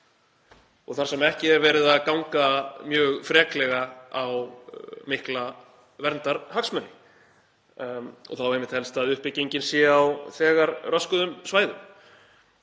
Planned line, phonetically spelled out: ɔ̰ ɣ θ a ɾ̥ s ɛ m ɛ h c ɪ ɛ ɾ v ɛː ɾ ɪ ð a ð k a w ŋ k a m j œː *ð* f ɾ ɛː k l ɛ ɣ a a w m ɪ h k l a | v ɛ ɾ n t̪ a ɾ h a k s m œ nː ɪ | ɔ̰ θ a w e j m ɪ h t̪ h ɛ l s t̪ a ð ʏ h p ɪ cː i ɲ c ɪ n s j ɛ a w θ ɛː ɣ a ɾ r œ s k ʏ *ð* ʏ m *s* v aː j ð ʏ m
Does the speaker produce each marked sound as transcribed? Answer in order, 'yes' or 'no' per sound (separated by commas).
no, yes, yes